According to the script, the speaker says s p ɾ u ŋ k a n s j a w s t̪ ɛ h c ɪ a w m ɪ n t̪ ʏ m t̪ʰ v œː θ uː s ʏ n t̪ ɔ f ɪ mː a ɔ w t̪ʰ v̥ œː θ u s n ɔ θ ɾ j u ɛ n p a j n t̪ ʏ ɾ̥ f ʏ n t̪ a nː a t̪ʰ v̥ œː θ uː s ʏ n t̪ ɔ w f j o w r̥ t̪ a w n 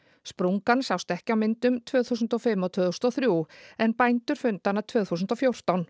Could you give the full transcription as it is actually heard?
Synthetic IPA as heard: s p ɾ u ŋ k a n s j a w s t̪ ɛ h c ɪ a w m ɪ n t̪ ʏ m t̪ʰ v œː θ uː s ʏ n t̪ ɔ f ɪ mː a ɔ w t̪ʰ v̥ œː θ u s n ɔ θ ɾ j u ɛ n p a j n t̪ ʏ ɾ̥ f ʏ n t̪ a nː a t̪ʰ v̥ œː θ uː s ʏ n t̪ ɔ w f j o w r̥ t̪ a w n